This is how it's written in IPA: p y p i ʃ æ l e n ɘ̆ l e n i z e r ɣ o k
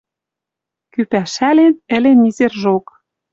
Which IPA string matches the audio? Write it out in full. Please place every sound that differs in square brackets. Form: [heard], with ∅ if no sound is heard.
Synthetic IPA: [k] y p [æ] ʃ æ l e n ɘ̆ l e n i z e r [ʒ] o k